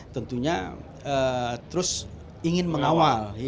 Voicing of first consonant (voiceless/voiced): voiceless